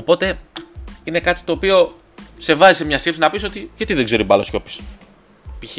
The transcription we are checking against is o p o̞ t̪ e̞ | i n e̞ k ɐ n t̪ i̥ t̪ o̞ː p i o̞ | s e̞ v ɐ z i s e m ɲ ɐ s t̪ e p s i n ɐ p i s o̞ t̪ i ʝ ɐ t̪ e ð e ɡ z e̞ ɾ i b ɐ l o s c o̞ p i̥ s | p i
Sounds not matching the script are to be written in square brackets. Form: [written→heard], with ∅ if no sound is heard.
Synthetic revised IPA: o p o̞ t̪ e̞ | i n e̞ k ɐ [n→∅] t̪ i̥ t̪ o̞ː p i o̞ | s e̞ v ɐ z i s e m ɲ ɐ s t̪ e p s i n ɐ p i s o̞ t̪ i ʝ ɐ t̪ [e→i] ð e ɡ z e̞ ɾ i b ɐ l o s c o̞ p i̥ s | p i